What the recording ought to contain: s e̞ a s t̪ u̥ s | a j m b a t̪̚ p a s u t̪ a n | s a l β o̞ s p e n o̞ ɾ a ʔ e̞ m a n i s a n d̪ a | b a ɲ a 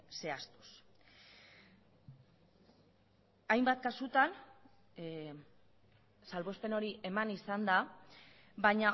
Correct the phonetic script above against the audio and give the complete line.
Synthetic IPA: s e̞ a s t̪ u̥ s | a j m b a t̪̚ k a s u t̪ a n | s a l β o̞ s p e n o̞ ɾ i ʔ e̞ m a n i s a n d̪ a | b a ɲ a